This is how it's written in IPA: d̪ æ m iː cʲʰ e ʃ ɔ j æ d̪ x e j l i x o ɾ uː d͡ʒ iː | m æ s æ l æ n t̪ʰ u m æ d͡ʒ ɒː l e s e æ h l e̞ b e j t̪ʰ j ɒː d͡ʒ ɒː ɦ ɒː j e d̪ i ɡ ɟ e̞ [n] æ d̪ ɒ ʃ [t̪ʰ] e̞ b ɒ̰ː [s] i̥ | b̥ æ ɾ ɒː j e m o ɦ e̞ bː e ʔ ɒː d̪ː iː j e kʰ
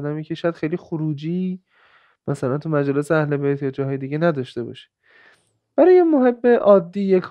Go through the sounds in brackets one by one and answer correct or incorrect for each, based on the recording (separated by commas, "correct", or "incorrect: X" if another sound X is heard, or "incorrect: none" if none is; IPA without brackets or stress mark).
correct, incorrect: t̪, incorrect: ʃ